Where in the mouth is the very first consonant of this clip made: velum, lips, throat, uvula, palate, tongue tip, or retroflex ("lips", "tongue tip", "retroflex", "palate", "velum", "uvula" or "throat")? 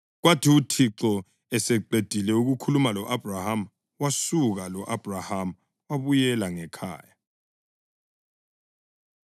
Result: velum